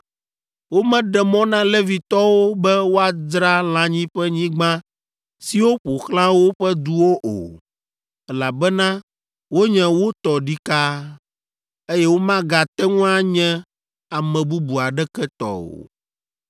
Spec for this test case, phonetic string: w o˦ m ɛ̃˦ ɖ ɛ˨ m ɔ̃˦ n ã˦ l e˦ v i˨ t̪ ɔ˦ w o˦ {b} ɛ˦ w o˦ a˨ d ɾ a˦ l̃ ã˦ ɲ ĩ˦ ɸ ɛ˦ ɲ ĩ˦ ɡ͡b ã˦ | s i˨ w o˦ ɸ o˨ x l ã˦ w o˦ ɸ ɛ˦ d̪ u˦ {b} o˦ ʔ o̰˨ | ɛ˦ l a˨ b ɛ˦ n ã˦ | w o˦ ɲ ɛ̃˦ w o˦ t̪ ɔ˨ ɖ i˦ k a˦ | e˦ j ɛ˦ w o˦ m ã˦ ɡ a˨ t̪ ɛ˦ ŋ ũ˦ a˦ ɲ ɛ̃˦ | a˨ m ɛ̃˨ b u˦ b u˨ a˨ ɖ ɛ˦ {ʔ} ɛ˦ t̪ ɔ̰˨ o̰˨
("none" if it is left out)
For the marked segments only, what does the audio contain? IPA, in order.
b, w, k

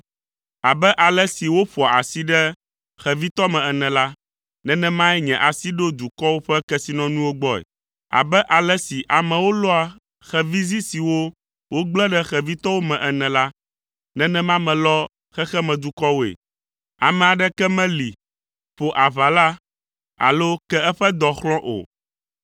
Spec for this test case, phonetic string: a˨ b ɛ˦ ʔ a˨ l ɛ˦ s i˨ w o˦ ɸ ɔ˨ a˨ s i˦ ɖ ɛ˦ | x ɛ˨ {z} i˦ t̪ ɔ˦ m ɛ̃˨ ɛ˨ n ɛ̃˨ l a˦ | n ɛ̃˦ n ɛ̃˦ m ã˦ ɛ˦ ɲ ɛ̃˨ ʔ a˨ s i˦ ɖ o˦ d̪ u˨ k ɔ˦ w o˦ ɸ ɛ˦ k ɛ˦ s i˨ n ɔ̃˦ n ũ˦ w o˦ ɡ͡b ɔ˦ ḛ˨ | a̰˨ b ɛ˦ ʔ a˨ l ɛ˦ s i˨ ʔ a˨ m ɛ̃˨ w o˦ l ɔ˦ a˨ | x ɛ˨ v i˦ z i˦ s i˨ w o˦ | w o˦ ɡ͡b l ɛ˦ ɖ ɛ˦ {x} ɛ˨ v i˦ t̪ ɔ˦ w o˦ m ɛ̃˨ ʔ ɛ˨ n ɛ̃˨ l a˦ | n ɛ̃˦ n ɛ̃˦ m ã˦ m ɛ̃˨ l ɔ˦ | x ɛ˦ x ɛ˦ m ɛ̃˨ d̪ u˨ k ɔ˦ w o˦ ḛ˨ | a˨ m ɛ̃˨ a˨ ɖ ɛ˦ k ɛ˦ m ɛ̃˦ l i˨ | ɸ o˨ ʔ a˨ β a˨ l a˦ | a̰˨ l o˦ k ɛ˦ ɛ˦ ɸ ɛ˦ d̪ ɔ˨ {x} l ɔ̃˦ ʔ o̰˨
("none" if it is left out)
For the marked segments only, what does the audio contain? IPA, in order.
v, x, x

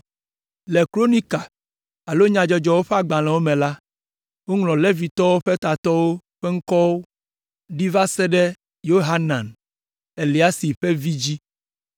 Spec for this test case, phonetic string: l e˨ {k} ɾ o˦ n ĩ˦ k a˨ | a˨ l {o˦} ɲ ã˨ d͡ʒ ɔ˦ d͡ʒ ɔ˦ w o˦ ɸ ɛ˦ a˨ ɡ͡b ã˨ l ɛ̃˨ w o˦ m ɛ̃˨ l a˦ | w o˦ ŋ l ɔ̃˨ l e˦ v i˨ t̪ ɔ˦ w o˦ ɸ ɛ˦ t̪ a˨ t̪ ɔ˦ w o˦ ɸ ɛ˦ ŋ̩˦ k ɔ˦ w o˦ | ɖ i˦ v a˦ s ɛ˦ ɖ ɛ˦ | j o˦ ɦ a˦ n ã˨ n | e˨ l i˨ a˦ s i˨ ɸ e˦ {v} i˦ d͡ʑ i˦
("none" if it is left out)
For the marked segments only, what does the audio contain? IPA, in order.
k, o˦, v

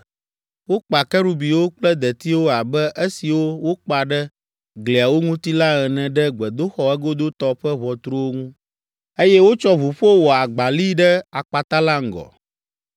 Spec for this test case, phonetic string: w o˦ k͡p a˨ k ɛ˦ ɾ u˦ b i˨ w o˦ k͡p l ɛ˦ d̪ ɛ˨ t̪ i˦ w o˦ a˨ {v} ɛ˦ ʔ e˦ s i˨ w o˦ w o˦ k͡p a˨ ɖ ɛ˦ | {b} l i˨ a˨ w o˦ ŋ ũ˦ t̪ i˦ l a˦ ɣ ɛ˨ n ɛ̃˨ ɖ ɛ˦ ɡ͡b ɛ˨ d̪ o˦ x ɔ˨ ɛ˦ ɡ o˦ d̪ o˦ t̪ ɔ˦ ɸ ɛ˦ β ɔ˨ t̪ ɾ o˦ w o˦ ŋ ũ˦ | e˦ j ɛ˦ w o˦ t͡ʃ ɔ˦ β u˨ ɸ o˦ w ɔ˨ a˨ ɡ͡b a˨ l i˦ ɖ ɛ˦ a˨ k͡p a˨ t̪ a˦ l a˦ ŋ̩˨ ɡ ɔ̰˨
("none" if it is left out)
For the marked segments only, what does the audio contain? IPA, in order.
b, ɡ

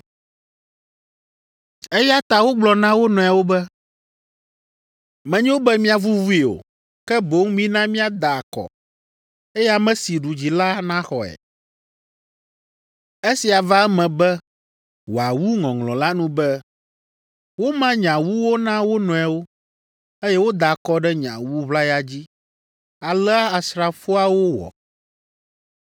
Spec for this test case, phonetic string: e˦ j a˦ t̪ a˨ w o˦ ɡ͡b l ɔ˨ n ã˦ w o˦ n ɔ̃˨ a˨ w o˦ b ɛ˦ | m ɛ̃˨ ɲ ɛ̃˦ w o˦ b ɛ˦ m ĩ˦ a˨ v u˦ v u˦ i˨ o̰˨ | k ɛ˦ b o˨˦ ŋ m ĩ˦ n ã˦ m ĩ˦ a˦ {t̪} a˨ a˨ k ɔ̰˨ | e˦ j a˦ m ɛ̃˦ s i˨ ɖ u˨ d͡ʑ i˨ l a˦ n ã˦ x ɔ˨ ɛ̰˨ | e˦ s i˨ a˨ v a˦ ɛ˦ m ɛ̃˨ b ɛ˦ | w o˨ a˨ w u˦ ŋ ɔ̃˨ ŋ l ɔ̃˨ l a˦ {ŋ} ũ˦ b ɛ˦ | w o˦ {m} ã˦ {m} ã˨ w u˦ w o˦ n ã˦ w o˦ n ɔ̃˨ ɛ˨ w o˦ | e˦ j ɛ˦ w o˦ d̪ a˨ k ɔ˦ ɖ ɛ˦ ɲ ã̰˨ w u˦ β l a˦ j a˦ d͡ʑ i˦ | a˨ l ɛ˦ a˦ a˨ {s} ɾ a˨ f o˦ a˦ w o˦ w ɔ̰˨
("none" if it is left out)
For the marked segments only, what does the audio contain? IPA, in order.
d̪, n, m, ɲ, s

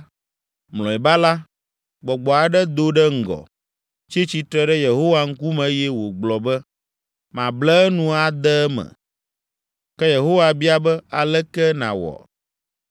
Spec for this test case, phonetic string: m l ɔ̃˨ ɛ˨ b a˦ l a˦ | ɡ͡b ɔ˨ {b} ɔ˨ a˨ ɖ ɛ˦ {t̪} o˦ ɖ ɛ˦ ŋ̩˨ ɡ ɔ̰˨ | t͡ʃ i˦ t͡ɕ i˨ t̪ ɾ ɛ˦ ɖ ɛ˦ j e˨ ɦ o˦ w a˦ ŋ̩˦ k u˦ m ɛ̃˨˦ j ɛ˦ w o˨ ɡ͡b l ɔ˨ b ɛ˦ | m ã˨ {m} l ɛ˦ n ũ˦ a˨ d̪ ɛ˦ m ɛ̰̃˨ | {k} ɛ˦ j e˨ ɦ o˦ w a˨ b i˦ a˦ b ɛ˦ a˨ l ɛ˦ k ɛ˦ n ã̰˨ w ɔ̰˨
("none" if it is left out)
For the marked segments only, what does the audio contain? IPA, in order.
ɡ͡b, d̪, b, k

